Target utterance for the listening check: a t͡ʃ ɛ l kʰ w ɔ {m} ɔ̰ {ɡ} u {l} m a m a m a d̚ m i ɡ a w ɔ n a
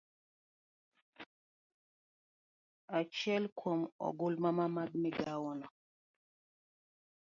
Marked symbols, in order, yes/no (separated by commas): yes, yes, yes